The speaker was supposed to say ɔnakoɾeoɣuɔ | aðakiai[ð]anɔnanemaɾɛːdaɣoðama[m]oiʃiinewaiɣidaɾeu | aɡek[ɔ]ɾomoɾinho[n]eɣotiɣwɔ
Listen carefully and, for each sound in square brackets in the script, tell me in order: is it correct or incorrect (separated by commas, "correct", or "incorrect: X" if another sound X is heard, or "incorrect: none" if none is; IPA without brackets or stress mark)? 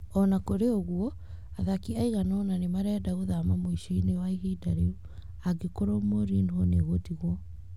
incorrect: ɣ, correct, incorrect: o, correct